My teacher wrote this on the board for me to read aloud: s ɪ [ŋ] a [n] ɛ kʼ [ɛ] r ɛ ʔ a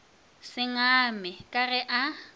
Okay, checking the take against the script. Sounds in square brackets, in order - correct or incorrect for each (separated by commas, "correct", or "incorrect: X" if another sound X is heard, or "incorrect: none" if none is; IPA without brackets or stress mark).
correct, incorrect: m, incorrect: a